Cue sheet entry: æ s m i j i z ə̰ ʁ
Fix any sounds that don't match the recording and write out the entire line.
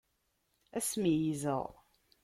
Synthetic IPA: æ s m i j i z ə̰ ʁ